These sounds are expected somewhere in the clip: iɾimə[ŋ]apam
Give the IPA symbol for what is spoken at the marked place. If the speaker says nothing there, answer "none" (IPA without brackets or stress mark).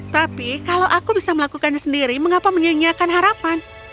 ŋ